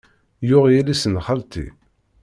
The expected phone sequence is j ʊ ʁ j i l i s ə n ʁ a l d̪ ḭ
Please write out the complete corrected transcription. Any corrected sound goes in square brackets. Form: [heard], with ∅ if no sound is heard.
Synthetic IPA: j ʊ ʁ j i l i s ə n [χ] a l [t̪] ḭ